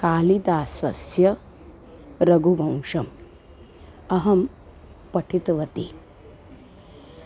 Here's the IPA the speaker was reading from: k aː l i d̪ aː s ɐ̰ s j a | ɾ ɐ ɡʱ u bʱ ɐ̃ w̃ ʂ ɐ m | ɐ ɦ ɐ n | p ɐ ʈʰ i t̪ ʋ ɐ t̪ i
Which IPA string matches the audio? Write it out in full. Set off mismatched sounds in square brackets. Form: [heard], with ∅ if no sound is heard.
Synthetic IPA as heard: k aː l i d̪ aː s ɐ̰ s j [ɐ] | ɾ ɐ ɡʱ u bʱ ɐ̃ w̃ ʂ ɐ m | ɐ ɦ ɐ [m] | p ɐ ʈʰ i t̪ ʋ ɐ t̪ i